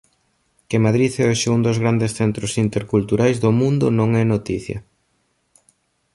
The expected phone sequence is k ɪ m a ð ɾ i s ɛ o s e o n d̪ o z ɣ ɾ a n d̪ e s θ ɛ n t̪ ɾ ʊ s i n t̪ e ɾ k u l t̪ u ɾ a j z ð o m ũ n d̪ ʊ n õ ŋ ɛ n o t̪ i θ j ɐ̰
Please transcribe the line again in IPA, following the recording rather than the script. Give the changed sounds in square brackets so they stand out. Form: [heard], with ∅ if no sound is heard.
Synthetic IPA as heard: k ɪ m a ð ɾ i [θ] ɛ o [ʃ] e [u] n d̪ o z ɣ ɾ a n d̪ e s θ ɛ n t̪ ɾ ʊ s i n t̪ e ɾ k u l t̪ u ɾ a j z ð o m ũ n d̪ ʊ n õ ŋ ɛ n o t̪ i θ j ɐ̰